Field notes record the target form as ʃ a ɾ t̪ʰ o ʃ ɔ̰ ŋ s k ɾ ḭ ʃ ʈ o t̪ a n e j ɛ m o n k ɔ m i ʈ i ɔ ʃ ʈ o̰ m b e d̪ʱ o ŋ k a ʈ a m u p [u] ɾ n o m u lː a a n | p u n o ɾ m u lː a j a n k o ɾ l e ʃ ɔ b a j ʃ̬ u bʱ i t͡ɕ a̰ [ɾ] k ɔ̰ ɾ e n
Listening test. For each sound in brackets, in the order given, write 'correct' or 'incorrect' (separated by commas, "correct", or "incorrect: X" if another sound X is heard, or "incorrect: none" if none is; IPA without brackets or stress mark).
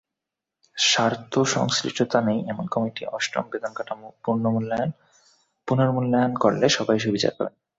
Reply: correct, correct